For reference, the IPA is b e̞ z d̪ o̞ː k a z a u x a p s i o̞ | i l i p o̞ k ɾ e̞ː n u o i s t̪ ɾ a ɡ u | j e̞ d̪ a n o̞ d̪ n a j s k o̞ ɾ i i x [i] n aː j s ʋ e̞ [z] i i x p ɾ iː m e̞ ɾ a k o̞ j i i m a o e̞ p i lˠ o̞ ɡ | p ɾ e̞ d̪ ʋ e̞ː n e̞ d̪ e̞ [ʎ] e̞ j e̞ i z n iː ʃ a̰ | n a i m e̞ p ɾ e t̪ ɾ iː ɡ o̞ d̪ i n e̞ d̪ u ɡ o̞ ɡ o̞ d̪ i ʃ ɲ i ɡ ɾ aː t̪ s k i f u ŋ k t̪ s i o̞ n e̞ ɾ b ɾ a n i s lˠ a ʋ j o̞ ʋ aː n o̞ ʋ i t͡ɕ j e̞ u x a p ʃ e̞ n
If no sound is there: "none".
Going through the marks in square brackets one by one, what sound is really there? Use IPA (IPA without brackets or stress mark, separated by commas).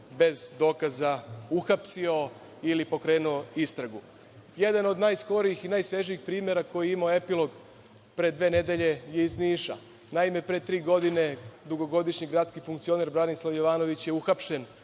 i, ʒ, ʎ